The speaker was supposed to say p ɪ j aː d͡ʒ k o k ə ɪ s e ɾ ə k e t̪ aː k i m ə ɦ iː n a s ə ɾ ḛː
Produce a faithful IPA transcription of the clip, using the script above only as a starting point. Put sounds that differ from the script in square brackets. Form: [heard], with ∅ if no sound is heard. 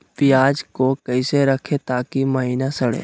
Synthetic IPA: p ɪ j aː d͡ʒ k o k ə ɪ s e ɾ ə [kʰ] e t̪ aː k i m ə ɦ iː n a s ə [ɽ] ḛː